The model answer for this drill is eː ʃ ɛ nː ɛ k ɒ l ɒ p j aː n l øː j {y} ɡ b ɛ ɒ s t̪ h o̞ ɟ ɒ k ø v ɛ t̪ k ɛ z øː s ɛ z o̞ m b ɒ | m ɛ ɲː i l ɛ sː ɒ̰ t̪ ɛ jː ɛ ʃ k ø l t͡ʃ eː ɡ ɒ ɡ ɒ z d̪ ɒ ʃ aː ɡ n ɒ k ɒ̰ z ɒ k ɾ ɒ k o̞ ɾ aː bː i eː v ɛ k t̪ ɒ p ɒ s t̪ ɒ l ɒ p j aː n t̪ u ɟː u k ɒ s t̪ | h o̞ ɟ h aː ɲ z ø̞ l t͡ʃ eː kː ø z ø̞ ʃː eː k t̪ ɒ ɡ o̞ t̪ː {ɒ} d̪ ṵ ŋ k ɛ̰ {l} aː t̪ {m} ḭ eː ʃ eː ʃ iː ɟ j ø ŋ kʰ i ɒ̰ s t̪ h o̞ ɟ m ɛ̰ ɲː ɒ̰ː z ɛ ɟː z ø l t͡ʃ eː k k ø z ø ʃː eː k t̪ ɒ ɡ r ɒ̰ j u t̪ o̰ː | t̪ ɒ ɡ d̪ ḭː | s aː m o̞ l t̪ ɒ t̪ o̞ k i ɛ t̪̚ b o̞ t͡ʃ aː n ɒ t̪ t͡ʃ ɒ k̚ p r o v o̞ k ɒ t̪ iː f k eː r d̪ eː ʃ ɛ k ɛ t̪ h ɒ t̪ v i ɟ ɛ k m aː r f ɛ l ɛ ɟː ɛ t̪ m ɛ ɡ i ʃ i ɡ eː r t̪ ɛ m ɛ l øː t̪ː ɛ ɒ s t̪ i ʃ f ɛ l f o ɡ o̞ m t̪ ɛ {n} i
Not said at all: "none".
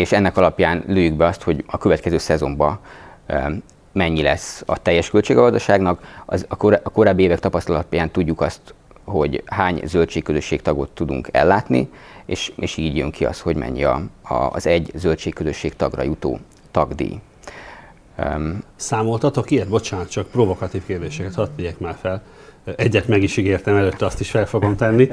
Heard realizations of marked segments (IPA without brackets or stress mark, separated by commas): y, u, lː, n, nː